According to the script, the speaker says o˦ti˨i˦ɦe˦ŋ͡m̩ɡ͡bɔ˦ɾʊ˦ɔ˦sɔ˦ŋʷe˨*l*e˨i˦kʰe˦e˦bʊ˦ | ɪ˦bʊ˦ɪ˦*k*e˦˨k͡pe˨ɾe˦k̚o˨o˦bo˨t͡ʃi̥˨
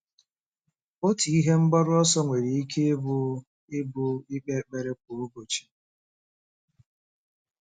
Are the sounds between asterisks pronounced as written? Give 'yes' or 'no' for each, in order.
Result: no, no

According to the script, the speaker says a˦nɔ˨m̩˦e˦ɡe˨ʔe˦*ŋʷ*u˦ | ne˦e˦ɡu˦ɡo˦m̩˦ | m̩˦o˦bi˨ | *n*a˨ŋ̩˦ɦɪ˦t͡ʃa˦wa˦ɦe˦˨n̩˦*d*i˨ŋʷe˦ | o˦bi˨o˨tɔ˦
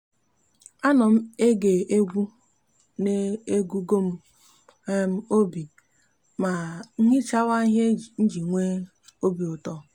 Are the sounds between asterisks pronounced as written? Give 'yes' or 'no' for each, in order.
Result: no, no, no

